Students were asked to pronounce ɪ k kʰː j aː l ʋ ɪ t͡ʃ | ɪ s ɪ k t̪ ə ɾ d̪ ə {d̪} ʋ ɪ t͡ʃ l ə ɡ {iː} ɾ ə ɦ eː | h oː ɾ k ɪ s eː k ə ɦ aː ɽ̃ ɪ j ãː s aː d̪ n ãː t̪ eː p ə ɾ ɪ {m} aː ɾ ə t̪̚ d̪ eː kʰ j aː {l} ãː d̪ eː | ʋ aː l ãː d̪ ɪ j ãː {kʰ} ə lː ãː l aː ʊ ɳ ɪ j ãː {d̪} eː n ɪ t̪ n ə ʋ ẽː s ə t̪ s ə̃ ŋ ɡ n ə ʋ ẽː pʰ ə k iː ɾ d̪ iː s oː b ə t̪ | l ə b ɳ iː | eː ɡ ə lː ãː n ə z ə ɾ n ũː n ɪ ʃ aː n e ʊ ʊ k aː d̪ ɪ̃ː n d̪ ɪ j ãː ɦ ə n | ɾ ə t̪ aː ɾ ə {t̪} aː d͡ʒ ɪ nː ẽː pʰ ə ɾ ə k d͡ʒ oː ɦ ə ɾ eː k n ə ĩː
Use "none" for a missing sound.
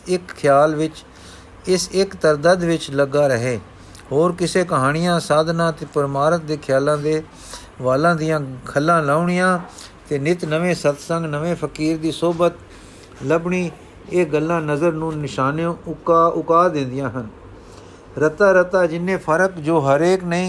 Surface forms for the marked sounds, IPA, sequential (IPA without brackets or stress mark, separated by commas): d̪, aː, m, l, kʰ, t̪, t̪